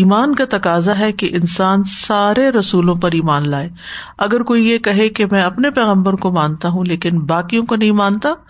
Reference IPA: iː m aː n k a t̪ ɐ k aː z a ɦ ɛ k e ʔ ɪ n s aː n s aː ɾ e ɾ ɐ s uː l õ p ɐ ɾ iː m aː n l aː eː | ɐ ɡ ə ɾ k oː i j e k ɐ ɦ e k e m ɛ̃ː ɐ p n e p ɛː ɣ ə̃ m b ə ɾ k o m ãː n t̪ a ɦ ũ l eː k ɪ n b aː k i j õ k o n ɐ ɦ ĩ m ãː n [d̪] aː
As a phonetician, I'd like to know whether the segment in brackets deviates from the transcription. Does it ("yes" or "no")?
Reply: yes